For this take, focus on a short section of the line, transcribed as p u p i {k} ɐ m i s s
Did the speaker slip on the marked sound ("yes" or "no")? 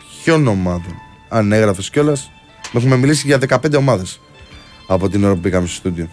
no